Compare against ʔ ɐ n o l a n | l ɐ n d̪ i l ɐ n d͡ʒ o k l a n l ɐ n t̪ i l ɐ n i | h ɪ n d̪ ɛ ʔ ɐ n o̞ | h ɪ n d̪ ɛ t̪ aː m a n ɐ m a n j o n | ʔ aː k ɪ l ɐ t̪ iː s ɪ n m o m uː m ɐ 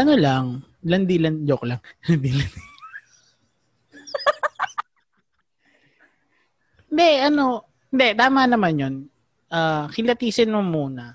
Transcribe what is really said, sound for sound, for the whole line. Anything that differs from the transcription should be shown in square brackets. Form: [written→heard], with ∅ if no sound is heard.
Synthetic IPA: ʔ ɐ n o l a [n→ŋ] | l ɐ n d̪ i l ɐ n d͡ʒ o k l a [n→ŋ] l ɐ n [t̪→d̪] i l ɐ n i | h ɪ n d̪ ɛ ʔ ɐ n o̞ | h ɪ n d̪ ɛ t̪ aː m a n ɐ m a n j o n | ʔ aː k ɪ l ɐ t̪ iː s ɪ n m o m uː [m→n] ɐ